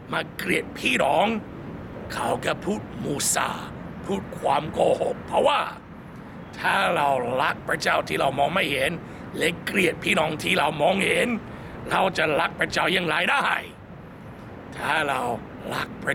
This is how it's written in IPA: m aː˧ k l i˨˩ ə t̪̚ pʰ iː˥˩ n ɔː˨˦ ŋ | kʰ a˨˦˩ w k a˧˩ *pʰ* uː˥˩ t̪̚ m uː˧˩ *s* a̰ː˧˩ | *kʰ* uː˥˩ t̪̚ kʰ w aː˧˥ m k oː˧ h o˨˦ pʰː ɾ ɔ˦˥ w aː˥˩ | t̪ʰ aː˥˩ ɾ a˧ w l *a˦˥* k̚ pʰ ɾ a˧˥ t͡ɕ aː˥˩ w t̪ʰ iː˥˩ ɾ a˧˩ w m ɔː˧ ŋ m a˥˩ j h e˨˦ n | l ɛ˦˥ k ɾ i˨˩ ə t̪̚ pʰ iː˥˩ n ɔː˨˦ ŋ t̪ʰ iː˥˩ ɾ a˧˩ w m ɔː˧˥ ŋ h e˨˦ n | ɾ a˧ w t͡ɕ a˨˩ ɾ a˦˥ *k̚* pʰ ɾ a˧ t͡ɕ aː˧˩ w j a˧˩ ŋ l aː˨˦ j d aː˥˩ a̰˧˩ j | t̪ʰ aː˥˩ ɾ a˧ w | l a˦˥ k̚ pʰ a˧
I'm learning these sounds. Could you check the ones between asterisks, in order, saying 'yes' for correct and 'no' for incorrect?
yes, yes, no, yes, yes

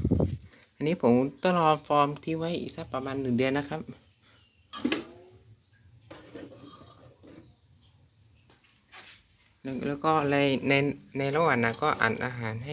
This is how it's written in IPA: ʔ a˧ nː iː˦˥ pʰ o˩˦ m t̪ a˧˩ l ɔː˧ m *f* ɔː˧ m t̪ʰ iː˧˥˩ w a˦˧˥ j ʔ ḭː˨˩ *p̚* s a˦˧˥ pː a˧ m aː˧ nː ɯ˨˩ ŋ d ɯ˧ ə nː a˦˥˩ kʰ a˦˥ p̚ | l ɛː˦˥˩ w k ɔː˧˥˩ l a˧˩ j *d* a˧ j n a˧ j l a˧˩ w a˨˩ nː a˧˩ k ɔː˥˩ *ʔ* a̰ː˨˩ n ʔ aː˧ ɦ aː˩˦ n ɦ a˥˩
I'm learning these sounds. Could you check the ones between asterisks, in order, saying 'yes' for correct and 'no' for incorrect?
yes, no, no, yes

